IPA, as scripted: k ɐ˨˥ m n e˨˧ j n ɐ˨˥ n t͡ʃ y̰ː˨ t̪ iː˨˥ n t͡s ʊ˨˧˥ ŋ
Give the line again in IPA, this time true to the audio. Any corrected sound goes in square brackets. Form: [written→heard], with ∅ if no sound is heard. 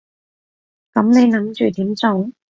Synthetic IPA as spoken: k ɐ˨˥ m n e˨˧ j n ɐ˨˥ [n→m] t͡ʃ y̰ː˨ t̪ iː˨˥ [n→m] t͡s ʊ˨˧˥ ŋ